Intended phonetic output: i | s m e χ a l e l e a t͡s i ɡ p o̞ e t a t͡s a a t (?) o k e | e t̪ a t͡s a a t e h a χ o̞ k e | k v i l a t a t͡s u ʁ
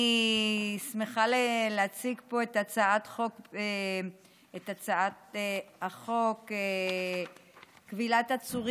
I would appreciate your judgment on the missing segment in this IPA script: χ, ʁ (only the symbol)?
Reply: χ